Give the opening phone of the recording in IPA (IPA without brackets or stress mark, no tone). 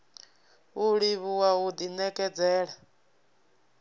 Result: u